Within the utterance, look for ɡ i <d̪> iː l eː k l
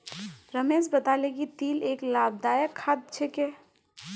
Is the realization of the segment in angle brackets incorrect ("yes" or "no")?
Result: yes